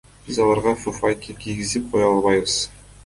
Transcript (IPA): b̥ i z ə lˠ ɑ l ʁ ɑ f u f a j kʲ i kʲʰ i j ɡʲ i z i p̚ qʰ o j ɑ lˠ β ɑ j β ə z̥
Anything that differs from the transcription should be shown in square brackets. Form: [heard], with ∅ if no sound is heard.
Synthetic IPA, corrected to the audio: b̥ i z [ɑ] lˠ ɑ [ɾ] ʁ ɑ f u f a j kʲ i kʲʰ i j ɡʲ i z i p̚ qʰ o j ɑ lˠ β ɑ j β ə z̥